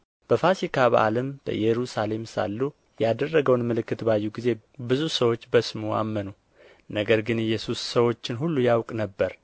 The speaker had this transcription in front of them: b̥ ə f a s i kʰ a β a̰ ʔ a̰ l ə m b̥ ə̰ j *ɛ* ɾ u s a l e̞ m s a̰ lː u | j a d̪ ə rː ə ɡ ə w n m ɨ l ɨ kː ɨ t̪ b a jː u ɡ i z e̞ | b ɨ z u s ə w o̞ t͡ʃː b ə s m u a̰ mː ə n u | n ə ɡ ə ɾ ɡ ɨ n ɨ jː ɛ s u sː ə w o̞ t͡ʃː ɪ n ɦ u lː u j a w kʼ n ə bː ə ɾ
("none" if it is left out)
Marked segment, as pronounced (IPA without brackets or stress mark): ɛ